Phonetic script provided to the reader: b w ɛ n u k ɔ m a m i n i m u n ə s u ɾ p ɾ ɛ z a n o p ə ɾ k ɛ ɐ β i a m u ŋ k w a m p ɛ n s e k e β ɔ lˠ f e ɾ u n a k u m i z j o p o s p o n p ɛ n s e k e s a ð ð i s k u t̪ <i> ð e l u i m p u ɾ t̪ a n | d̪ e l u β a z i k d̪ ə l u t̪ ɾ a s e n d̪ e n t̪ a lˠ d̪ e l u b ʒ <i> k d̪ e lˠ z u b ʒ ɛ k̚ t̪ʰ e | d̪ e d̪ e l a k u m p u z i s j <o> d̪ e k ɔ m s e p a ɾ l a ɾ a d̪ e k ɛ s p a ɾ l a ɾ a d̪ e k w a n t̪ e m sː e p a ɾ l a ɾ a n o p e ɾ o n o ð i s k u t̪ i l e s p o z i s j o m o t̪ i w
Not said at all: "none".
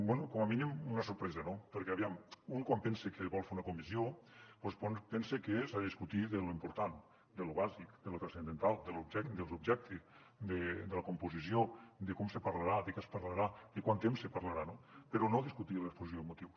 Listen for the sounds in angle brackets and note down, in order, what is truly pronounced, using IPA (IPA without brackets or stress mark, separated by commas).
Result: i, ɛ, o